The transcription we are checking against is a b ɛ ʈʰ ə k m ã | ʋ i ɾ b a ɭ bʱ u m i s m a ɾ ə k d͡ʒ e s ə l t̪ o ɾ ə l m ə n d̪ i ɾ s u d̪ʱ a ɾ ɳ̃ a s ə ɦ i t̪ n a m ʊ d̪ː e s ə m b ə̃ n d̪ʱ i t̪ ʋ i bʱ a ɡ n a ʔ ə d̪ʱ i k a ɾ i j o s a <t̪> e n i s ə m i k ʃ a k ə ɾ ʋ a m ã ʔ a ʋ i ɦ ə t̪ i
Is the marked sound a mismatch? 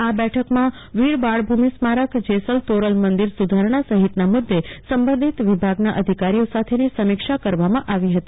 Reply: yes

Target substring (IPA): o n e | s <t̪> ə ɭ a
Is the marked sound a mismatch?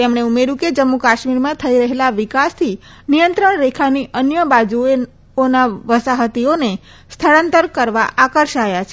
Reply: yes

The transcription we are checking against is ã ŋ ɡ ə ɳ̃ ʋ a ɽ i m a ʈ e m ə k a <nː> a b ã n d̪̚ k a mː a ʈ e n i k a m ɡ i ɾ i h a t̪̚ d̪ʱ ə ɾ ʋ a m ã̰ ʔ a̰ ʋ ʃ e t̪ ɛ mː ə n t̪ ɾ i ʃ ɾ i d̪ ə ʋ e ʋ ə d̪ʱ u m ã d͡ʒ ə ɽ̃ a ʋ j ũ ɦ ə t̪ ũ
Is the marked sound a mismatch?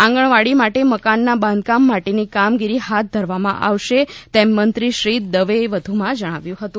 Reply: no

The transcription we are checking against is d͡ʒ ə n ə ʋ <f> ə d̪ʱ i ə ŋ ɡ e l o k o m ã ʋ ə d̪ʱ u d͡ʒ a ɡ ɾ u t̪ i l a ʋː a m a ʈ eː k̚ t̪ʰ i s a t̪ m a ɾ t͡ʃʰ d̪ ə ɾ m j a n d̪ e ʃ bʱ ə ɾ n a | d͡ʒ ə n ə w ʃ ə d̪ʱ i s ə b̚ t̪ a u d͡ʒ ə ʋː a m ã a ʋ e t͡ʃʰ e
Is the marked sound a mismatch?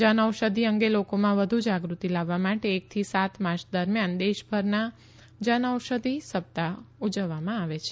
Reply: yes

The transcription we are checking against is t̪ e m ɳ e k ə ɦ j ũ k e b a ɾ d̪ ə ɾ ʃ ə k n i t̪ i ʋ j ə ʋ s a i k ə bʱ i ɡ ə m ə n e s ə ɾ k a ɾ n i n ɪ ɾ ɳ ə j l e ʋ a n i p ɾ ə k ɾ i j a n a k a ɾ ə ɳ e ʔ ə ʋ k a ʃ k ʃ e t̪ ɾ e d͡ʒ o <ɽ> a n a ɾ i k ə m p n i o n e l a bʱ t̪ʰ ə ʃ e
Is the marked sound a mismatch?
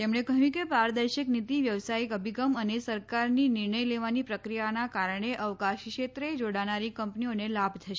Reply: no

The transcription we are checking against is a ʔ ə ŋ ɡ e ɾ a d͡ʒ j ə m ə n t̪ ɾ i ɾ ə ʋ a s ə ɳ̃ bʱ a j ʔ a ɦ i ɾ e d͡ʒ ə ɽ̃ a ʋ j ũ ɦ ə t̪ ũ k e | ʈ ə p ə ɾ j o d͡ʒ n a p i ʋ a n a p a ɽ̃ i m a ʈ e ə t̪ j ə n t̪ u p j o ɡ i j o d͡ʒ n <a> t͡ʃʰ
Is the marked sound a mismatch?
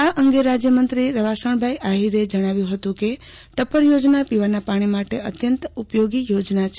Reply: no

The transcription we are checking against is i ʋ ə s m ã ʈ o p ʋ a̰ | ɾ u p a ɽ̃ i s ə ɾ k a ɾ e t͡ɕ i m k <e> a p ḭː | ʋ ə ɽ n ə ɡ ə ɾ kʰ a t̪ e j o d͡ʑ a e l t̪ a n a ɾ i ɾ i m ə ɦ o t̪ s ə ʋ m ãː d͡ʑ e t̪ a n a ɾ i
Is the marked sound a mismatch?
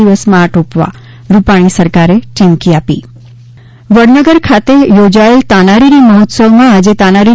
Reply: yes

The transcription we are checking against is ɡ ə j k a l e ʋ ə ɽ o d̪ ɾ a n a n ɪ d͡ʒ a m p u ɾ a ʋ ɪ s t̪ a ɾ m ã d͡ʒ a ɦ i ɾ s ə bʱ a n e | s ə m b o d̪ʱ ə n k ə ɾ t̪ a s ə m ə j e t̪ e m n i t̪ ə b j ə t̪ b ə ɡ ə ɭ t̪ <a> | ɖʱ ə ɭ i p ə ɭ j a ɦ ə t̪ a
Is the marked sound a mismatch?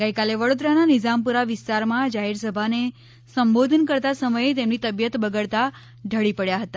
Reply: no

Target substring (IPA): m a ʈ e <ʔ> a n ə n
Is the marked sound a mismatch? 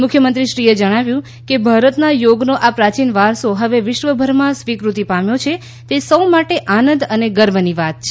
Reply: no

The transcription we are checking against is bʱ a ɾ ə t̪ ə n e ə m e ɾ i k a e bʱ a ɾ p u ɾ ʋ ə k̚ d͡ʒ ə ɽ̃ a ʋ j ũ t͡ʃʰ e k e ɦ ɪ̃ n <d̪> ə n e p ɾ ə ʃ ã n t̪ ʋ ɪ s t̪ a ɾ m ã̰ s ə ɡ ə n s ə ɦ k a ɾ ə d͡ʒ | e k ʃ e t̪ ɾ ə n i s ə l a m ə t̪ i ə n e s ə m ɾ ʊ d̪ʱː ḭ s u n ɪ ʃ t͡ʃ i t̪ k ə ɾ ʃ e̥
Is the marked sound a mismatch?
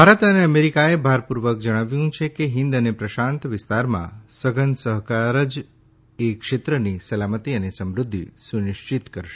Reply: no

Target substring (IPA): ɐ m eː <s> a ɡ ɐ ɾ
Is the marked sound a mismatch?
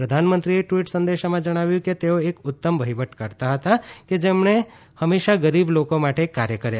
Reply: yes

